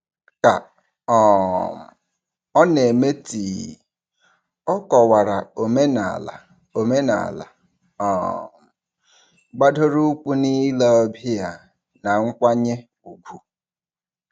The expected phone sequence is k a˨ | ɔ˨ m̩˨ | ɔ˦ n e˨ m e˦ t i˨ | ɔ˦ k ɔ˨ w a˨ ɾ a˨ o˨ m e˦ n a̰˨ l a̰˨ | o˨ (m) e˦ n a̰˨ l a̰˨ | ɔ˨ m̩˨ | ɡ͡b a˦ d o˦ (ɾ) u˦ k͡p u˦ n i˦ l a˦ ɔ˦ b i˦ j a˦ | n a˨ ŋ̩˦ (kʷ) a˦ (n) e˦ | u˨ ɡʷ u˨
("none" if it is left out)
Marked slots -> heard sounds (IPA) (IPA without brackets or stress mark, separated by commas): m, ɾ, kʷ, ɲ